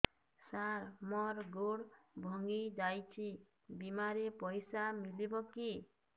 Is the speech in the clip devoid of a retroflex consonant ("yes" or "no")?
no